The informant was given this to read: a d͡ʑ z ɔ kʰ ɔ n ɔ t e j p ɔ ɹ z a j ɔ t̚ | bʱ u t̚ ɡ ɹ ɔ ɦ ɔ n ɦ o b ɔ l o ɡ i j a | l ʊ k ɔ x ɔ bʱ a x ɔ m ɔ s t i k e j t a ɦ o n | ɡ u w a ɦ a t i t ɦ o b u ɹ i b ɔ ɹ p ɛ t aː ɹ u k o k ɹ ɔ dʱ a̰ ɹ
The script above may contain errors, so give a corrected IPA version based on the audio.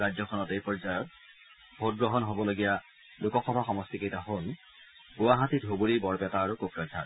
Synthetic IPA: a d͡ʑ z ɔ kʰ ɔ n ɔ t e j p ɔ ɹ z a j ɔ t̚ | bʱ o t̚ ɡ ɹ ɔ ɦ ɔ n ɦ o b ɔ l o ɡ i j a | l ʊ k ɔ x ɔ bʱ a x ɔ m ɔ s t i k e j t a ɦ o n | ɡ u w a ɦ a t i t ɦ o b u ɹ i b ɔ ɹ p ɛ t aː ɹ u k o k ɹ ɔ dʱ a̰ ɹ